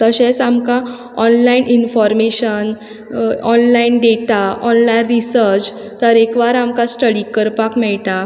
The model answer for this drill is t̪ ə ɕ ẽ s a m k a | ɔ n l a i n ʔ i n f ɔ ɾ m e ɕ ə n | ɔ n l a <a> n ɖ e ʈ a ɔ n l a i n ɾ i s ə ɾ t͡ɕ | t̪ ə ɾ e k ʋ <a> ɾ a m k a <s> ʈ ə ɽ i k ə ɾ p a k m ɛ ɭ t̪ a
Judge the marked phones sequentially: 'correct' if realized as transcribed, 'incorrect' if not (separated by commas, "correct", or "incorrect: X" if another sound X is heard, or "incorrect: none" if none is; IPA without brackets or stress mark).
incorrect: i, correct, correct